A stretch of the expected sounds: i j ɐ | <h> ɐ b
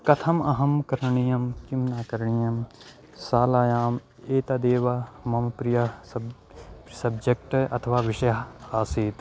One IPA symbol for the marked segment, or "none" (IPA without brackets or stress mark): s